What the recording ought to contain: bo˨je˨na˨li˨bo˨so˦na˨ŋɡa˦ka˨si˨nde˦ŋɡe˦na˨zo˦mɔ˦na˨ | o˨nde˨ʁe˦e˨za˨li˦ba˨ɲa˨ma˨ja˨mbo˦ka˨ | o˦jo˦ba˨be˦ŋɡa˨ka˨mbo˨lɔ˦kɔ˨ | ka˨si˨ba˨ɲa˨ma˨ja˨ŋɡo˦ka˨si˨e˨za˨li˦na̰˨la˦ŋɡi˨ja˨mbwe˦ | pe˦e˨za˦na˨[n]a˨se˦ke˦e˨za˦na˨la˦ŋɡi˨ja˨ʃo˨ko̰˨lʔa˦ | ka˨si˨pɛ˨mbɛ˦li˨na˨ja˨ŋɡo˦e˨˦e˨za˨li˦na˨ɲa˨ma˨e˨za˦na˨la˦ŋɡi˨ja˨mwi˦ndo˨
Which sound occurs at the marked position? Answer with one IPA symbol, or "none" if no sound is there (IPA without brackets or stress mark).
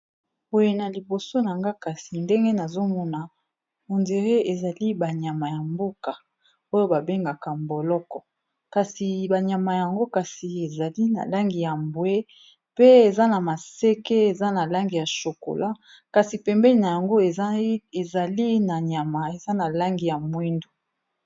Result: m